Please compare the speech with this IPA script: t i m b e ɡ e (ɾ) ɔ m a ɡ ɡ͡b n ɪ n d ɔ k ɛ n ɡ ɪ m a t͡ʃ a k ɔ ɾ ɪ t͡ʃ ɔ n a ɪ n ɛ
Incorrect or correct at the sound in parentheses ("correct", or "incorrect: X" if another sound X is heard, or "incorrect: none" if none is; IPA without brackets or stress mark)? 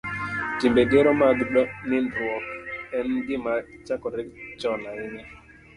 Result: correct